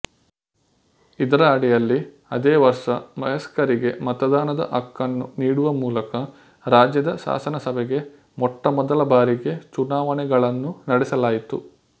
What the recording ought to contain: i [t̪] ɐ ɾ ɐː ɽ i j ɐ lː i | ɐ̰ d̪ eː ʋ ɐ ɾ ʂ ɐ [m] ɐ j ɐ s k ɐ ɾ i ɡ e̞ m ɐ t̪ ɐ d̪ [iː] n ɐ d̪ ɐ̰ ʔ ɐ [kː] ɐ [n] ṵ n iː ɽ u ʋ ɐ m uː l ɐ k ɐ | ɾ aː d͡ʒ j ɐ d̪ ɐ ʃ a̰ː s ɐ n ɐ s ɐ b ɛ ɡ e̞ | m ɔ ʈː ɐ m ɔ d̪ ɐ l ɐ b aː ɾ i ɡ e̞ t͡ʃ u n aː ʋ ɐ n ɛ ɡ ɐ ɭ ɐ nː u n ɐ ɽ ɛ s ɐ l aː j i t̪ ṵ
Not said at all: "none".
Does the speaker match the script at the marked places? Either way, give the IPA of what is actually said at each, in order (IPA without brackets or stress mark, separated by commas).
d̪, m, aː, kː, nː